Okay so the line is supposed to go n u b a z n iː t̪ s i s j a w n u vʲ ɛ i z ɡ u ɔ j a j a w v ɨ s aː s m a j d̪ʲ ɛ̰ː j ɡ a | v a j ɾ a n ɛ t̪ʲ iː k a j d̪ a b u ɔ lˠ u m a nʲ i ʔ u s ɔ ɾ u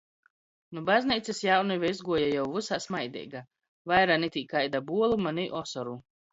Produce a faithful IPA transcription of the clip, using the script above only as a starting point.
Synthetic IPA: n u b a z n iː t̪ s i s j a w n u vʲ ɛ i z ɡ u ɔ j a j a w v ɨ s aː s m a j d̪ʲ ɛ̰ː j ɡ a | v a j ɾ a n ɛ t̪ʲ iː k a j d̪ a b u ɔ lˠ u m a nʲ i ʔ ɔ s ɔ ɾ u